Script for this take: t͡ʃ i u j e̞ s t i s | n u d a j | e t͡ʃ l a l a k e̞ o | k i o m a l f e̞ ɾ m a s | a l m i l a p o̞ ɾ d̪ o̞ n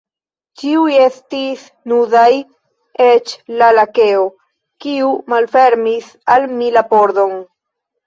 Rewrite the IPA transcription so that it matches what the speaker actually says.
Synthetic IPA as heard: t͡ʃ i u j e̞ s t i s | n u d a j | e t͡ʃ l a l a k e̞ o | k i u m a l f e̞ ɾ m i s | a l m i l a p o̞ ɾ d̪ o̞ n